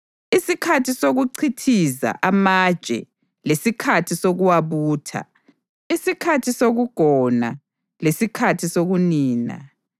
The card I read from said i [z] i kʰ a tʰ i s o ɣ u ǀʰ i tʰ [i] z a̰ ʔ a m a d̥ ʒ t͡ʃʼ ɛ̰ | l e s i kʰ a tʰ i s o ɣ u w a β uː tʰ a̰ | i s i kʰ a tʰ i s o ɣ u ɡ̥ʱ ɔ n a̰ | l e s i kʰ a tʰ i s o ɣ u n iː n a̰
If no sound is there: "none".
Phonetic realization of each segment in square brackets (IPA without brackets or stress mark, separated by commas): s, i